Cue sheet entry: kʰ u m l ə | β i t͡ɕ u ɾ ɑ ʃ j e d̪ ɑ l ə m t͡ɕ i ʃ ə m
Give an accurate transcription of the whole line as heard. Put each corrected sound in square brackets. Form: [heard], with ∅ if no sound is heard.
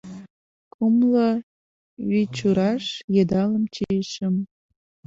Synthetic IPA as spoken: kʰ u m l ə | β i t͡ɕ u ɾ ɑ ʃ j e d̪ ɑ l ə m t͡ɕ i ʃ ə m